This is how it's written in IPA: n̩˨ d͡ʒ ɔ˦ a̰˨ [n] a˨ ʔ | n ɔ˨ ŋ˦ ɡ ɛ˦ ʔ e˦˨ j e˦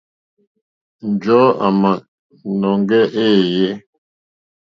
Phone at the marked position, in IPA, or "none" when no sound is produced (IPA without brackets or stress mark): m